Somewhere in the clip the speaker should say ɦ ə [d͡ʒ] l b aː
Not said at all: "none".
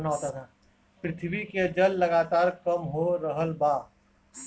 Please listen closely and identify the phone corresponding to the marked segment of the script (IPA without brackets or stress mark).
none